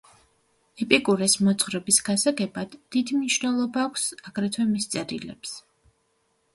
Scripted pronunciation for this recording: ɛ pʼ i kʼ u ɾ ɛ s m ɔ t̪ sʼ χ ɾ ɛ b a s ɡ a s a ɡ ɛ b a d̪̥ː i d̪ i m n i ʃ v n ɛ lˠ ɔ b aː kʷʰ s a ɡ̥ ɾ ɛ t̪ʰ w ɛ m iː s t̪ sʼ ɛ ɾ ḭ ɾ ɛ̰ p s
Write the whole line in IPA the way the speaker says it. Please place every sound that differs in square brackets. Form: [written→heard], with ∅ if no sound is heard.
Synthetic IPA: ɛ pʼ i kʼ u ɾ ɛ s m ɔ t̪ sʼ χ ɾ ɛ b [a→i] s ɡ a s a ɡ ɛ b a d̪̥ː i d̪ i m n i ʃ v n ɛ lˠ ɔ b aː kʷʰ s a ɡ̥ ɾ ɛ t̪ʰ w ɛ m [iː→i] s t̪ sʼ ɛ ɾ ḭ [ɾ→l] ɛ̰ p s